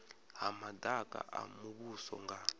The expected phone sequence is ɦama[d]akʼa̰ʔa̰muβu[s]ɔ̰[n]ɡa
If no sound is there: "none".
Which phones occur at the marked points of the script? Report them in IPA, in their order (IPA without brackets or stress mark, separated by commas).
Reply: d, s, ŋ